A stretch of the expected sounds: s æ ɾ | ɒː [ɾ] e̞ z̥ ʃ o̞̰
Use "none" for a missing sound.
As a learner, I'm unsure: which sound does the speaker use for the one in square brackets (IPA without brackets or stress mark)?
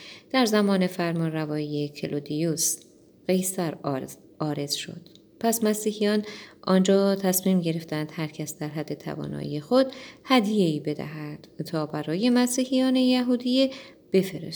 ɾ